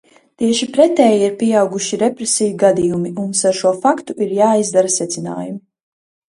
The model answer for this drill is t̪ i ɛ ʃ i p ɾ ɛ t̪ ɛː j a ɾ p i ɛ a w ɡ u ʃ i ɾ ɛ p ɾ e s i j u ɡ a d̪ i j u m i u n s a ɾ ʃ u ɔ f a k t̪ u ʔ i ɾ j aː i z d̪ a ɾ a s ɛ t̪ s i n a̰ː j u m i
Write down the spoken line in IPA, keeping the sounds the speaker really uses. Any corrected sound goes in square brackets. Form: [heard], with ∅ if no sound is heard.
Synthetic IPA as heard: t̪ i ɛ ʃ i p ɾ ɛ t̪ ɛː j [i] ɾ p i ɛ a w ɡ u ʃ i ɾ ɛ p ɾ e s i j u ɡ a d̪ i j u m i u n s a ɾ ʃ u ɔ f a k t̪ u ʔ i ɾ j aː i z d̪ a ɾ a s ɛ t̪ s i n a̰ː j u m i